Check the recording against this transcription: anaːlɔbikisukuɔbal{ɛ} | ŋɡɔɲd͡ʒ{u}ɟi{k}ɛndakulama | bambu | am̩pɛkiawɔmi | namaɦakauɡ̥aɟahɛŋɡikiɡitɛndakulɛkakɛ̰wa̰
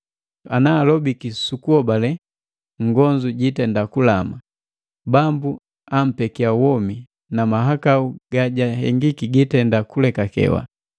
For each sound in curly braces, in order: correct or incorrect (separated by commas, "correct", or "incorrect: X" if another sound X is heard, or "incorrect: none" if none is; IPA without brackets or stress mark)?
correct, correct, incorrect: t